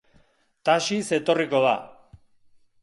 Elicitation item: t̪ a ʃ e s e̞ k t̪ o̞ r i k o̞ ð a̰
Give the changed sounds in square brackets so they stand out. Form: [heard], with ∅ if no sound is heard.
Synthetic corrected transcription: t̪ a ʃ [i] s e̞ [∅] t̪ o̞ r i k o̞ ð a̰